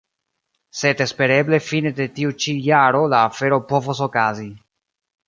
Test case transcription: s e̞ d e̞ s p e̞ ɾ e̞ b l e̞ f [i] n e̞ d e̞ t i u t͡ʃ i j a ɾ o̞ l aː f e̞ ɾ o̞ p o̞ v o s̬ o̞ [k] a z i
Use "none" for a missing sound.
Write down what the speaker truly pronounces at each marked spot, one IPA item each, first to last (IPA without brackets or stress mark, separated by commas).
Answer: i, k